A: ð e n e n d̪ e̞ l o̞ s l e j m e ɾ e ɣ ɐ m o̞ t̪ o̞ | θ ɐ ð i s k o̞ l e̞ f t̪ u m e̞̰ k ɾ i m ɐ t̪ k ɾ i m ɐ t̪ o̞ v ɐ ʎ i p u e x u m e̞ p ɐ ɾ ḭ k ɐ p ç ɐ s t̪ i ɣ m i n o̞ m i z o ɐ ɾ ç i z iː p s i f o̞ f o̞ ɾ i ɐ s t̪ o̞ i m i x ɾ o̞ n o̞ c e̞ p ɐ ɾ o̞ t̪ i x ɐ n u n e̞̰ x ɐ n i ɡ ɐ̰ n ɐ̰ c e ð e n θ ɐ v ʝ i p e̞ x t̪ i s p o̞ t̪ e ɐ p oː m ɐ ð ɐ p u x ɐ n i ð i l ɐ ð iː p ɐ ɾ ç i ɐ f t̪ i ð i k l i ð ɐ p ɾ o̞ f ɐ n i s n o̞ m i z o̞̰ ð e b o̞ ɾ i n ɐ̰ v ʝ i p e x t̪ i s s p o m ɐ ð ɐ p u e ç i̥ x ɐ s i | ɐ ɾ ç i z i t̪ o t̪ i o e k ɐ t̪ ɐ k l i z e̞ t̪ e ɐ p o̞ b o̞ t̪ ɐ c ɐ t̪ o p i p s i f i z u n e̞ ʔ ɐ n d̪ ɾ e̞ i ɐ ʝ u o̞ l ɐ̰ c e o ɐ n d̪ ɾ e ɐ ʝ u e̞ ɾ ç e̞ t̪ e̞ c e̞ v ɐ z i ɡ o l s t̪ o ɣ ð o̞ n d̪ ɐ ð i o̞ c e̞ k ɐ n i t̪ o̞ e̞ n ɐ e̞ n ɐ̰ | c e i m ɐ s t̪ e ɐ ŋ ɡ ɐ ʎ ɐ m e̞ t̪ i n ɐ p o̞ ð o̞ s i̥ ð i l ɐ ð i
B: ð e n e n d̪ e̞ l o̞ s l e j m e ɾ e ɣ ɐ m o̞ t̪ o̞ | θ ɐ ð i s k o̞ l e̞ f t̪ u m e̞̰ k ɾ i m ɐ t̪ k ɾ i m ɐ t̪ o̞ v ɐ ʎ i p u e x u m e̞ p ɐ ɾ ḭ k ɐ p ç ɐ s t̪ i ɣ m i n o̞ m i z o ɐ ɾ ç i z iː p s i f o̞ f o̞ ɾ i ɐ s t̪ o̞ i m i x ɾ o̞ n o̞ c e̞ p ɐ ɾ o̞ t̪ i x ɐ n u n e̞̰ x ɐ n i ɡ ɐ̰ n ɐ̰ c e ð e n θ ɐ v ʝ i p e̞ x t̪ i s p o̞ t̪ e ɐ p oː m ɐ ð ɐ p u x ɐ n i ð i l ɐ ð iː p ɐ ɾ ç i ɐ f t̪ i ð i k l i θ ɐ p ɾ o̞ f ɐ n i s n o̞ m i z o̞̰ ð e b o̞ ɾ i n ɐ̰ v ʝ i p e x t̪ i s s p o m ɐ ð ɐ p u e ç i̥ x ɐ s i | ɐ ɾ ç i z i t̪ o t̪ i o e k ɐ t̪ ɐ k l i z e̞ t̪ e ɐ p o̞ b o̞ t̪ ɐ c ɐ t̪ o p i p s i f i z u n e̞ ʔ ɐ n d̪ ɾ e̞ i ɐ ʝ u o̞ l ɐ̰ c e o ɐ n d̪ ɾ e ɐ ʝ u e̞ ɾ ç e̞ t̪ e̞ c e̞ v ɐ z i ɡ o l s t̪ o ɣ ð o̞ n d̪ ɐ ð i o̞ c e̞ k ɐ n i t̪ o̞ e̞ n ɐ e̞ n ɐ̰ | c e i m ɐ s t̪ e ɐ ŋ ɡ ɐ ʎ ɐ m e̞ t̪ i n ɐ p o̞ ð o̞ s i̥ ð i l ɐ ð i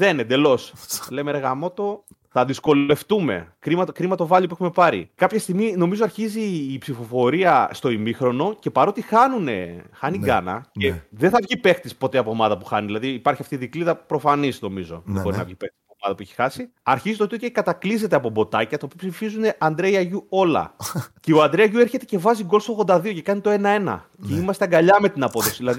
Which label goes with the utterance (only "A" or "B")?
A